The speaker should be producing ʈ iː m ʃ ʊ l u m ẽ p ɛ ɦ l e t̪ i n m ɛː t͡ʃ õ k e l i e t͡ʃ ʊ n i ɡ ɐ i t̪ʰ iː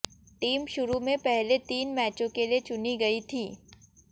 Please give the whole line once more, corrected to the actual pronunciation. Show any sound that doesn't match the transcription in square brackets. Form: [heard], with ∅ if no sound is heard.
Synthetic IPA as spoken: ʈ iː m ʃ ʊ [ɾ] u m ẽ p ɛ ɦ l e t̪ [iː] n m ɛː t͡ʃ õ k e l i e t͡ʃ ʊ n i ɡ ɐ i t̪ʰ iː

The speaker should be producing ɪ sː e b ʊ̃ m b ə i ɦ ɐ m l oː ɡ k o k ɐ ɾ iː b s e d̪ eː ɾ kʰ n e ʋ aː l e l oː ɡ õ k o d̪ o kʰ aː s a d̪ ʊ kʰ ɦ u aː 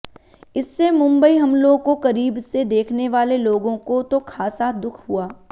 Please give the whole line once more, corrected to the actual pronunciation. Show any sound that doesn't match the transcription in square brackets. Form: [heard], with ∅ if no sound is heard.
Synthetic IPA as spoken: ɪ sː e [m] ʊ̃ m b ə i ɦ ɐ m l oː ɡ k o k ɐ ɾ iː b s e d̪ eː [∅] kʰ n e ʋ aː l e l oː ɡ õ k o [t̪] o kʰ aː s a d̪ ʊ kʰ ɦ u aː

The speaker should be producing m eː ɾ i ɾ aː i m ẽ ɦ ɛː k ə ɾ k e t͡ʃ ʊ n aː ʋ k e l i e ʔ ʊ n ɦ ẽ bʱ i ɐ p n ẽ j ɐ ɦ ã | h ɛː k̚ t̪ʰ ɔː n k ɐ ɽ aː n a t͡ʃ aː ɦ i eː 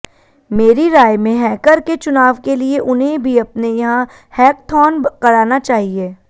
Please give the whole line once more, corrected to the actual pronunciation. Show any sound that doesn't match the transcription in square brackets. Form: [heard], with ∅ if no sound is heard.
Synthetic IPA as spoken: m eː ɾ i ɾ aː [j] m ẽ ɦ ɛː k ə ɾ k e t͡ʃ ʊ n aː ʋ k e l i e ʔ ʊ n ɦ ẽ bʱ i ɐ p n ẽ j ɐ ɦ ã | h ɛː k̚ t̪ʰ ɔː n k ɐ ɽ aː n a t͡ʃ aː ɦ i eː

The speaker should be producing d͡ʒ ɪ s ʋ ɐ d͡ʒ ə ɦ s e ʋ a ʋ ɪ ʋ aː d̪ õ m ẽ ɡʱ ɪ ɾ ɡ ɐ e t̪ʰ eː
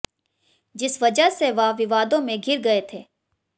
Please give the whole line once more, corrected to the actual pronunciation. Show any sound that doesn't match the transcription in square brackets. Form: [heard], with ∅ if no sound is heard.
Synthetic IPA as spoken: d͡ʒ ɪ s ʋ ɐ d͡ʒ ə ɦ s e ʋ a ʋ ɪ ʋ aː d̪ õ m ẽ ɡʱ ɪ ɾ ɡ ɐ e t̪ʰ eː

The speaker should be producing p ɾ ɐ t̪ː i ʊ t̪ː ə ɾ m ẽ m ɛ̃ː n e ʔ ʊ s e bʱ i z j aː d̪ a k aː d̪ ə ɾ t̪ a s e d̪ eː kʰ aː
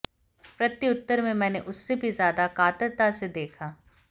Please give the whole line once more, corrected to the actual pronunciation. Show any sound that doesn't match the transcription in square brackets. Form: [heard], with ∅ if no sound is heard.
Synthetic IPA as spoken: p ɾ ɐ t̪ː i ʊ t̪ː ə ɾ m ẽ m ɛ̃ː n e ʔ ʊ [sː] e bʱ i z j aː d̪ a k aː [t̪] ə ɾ t̪ a s e d̪ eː kʰ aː

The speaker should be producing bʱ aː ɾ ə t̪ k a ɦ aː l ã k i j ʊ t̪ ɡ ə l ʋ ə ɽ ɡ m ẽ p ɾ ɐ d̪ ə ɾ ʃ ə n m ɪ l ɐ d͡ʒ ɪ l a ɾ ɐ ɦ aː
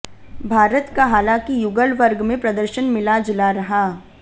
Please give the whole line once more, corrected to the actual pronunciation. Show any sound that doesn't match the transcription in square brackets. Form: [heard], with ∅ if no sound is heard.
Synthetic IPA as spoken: bʱ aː ɾ ə t̪ k a ɦ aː l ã k i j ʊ [∅] ɡ ə l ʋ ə [ɾ] ɡ m ẽ p ɾ ɐ d̪ ə ɾ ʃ ə n m ɪ l [a] d͡ʒ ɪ l a ɾ ɐ ɦ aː

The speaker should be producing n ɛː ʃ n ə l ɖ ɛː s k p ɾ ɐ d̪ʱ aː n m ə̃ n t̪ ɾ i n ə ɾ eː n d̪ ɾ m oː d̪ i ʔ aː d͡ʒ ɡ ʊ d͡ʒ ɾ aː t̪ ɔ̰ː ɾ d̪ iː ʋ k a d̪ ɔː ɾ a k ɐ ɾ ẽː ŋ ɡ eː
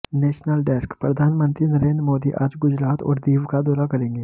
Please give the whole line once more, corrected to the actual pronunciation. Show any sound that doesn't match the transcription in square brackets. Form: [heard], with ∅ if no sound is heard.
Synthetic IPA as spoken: n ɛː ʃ n ə l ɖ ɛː s k p ɾ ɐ d̪ʱ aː n m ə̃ n t̪ ɾ i n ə ɾ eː n d̪ ɾ m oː d̪ i ʔ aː d͡ʒ ɡ ʊ d͡ʒ ɾ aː t̪ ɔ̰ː ɾ d̪ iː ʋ k a d̪ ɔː ɾ a k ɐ ɾ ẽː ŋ ɡ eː

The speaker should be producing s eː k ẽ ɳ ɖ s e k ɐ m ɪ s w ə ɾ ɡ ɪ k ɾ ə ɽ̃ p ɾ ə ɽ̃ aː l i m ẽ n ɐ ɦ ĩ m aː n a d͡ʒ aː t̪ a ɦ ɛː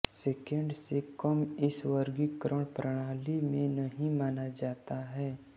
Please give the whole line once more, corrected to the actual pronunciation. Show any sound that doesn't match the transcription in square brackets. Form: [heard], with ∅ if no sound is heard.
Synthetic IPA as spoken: s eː k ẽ ɳ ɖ s e k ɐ m ɪ s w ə ɾ ɡ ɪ k ɾ ə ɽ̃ p ɾ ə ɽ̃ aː l i m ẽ n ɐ ɦ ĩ m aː n a d͡ʒ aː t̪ a ɦ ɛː

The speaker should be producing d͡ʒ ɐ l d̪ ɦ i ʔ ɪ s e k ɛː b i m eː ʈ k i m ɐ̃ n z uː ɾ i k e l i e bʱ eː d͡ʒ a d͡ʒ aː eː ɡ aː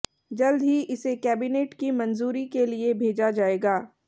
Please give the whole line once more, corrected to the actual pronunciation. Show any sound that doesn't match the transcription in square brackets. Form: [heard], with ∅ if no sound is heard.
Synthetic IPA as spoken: d͡ʒ ɐ l d̪ ɦ i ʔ ɪ s e k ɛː b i [n] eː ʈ k i m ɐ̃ n z uː ɾ i k e l i e bʱ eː d͡ʒ a d͡ʒ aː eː ɡ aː

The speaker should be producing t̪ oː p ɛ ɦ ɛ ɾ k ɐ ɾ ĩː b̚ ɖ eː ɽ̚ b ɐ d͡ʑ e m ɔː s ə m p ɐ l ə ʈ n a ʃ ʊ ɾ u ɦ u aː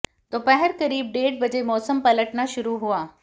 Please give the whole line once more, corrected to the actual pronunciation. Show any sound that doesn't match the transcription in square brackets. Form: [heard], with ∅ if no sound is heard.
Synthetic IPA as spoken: t̪ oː p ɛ ɦ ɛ ɾ k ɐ ɾ [iː] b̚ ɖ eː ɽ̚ b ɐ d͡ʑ e m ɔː s ə m p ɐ l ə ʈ n a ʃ ʊ ɾ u ɦ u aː

